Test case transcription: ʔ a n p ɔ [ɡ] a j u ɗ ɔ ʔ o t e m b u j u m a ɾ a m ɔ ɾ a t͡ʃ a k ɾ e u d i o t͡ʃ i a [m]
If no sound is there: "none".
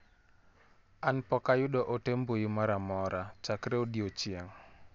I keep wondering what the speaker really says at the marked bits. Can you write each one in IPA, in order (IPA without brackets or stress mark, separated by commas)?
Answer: k, ŋ